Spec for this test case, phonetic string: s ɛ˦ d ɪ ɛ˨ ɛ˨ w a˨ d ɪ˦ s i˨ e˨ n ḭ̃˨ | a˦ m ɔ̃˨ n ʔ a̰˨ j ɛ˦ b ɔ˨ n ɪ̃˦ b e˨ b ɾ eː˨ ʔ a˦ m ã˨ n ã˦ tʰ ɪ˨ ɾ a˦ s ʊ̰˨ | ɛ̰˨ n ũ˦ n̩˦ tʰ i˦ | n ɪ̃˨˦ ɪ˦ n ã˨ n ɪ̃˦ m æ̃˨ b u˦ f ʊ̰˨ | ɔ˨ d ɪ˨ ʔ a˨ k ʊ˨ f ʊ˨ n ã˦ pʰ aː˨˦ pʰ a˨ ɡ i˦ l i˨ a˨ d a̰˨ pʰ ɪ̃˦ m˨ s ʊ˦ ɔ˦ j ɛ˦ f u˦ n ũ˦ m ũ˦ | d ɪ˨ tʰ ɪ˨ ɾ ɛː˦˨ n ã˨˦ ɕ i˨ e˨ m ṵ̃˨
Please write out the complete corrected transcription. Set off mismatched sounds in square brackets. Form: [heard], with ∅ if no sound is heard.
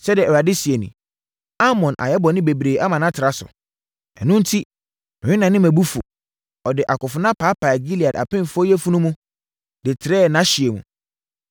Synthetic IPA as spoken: s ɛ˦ d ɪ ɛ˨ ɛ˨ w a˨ d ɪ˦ s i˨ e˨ n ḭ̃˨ | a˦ m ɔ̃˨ n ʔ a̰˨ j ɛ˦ b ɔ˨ n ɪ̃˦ b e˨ b ɾ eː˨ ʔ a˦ m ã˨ n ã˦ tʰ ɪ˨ ɾ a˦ s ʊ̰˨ | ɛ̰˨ n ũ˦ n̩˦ tʰ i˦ | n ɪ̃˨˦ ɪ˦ n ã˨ n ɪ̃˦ m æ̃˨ b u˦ f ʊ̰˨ | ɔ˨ d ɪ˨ ʔ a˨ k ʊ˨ f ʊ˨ n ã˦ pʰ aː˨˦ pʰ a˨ ɡ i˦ l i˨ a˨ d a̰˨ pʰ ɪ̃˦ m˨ [f] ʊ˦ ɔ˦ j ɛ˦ f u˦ n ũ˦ m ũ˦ | d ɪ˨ tʰ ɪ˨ ɾ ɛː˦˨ n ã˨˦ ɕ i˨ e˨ m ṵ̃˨